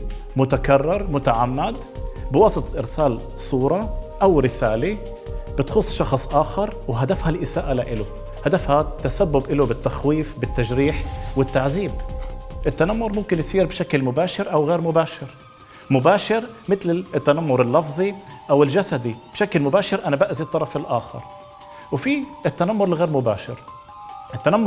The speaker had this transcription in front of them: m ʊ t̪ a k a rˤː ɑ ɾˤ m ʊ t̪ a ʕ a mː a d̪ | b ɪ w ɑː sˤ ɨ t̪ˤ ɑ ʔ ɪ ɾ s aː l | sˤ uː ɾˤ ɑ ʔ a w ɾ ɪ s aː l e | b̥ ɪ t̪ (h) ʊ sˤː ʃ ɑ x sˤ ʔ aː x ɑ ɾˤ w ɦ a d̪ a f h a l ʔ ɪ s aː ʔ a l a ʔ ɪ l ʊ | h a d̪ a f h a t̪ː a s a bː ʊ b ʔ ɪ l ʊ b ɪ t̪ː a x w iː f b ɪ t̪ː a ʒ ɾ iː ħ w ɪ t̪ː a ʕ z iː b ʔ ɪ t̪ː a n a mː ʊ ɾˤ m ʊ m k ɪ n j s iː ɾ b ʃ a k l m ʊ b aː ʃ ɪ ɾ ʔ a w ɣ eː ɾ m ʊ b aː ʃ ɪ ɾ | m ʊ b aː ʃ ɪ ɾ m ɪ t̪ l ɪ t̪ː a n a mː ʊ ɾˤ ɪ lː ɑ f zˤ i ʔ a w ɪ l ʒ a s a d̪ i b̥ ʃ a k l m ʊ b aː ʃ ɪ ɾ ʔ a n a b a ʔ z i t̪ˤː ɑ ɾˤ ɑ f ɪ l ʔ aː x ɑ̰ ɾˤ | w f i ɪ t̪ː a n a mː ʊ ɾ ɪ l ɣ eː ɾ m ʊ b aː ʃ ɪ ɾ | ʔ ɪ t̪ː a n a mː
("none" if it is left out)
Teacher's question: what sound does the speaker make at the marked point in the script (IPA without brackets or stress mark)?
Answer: x